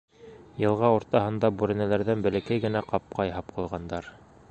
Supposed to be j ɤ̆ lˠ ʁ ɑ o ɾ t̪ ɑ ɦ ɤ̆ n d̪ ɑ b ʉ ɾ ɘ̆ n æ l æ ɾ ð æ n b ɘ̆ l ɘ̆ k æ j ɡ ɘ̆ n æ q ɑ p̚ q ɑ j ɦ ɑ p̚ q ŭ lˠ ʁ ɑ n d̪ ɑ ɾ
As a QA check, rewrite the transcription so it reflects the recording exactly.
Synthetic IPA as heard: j ɤ̆ lˠ ʁ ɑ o ɾ t̪ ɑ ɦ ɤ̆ n d̪ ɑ b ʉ ɾ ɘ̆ n æ l æ ɾ ð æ n b ɘ̆ l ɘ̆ k æ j ɡ ɘ̆ n æ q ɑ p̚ q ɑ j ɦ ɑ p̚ q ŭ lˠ ʁ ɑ n d̪ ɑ ɾ